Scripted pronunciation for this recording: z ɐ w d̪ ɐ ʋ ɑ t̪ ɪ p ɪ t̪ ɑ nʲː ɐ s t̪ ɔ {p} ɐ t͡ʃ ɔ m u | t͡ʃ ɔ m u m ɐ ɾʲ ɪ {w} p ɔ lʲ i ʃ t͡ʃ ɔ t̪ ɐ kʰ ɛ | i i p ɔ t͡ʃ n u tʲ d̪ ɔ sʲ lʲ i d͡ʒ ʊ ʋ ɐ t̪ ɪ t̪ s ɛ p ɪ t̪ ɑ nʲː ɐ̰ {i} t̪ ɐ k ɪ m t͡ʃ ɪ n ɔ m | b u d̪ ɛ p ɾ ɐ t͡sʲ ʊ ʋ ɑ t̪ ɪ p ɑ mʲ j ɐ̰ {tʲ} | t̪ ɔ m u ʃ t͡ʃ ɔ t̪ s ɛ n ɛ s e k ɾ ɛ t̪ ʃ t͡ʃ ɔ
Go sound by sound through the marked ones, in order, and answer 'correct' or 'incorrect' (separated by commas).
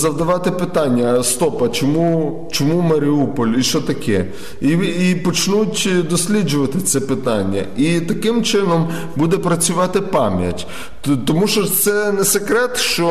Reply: correct, incorrect, correct, correct